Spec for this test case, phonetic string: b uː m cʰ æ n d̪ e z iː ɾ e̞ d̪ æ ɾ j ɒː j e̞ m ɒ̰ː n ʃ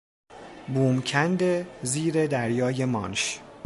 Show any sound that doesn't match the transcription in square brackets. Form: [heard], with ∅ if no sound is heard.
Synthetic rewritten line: b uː m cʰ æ n d̪ e z iː ɾ e̞ d̪ æ ɾ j ɒː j e̞ m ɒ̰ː n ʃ